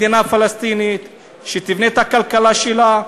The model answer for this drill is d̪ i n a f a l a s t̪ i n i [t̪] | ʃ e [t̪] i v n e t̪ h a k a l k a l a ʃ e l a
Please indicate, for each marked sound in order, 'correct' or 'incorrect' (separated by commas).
correct, correct